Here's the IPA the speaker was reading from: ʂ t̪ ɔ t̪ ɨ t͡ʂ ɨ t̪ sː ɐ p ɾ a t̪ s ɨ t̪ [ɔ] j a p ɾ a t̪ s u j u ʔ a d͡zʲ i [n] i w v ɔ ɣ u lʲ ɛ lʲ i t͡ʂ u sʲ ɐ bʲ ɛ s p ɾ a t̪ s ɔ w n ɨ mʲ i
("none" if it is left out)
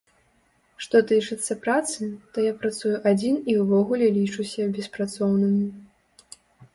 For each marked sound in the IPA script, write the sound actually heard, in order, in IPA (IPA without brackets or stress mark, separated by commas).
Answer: ɔ, n